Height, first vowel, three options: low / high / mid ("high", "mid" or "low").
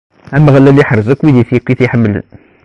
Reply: low